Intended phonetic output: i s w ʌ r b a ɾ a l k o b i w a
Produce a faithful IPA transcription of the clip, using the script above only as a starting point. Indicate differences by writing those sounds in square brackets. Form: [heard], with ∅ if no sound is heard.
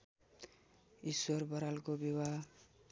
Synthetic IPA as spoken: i s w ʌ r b [ʌ] ɾ a l k o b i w a

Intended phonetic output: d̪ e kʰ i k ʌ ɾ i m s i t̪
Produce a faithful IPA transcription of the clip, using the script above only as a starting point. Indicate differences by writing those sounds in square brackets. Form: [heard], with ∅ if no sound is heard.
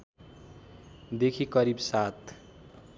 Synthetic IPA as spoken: d̪ e kʰ i k ʌ ɾ i [b] s [a] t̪

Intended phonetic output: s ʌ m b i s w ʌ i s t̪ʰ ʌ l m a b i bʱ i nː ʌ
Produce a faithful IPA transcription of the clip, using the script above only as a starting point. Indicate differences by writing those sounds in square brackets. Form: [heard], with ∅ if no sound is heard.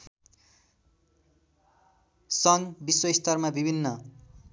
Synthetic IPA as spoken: s ʌ [ŋ] b i s w ʌ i s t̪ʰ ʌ [r] m a b i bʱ i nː ʌ

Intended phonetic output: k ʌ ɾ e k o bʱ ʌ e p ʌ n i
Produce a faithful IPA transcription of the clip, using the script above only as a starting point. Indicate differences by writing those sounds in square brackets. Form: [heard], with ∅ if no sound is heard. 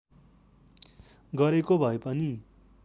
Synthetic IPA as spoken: [ɡ] ʌ ɾ e k o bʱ ʌ e p ʌ n i

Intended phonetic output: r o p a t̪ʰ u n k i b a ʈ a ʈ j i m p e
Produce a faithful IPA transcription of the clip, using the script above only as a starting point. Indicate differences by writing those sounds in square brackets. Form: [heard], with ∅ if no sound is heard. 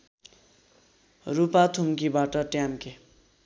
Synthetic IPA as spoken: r [u] p a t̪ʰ u [m] k i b a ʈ [ʌ] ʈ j [a] m [k] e

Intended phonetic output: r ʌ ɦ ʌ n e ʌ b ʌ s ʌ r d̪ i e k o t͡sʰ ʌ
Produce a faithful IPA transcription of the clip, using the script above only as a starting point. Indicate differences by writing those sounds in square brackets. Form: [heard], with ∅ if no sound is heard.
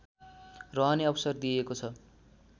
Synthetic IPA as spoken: r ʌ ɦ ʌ n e ʌ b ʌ s ʌ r d̪ i e k o t͡sʰ ʌ

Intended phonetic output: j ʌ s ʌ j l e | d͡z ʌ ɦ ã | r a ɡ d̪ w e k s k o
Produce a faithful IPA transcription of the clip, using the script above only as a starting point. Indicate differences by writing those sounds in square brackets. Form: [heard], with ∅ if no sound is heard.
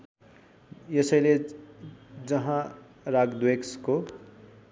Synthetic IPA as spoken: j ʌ s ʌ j l e | d͡z ʌ ɦ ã | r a ɡ d̪ w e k s k o

